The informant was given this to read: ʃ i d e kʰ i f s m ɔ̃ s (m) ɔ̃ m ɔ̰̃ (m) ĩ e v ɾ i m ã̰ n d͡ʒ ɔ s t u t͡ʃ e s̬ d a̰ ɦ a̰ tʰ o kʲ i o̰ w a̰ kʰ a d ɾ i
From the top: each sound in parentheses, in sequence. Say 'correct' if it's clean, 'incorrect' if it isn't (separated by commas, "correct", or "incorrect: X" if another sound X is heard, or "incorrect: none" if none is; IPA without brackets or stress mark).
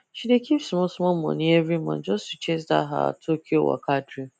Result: correct, incorrect: n